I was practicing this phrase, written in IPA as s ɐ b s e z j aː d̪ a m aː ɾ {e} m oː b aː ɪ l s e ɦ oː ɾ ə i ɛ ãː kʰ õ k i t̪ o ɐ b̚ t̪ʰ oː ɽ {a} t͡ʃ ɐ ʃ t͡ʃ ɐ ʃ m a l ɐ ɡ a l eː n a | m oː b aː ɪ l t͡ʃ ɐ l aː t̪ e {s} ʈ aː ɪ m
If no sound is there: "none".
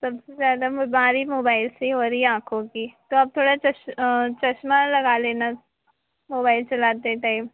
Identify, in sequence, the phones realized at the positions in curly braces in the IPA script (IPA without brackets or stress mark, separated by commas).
i, a, none